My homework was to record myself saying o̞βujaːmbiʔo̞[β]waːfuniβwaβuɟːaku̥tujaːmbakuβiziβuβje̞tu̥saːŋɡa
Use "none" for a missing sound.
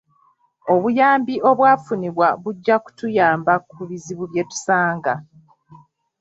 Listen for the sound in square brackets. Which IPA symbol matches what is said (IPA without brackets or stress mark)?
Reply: β